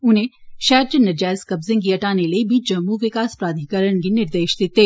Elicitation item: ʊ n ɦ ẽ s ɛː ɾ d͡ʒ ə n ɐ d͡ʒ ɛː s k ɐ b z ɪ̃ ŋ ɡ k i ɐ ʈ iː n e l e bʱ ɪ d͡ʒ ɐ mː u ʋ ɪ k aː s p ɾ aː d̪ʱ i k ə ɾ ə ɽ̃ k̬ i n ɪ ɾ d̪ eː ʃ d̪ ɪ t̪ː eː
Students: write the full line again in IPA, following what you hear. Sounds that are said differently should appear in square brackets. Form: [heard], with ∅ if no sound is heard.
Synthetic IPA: ʊ n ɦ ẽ [ʃ] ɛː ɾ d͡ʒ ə n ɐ d͡ʒ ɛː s k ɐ b z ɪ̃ ŋ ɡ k i ɐ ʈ [aː] n e l e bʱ [i] d͡ʒ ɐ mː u ʋ ɪ k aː s p ɾ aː d̪ʱ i k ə ɾ ə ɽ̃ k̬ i n ɪ ɾ d̪ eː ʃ d̪ ɪ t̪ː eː